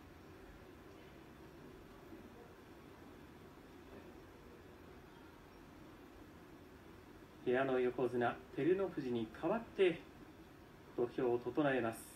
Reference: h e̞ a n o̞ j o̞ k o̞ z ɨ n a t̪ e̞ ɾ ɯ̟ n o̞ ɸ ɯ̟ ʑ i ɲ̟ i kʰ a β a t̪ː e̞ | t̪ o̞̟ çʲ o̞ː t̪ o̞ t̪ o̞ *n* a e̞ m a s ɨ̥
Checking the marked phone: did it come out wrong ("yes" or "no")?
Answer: no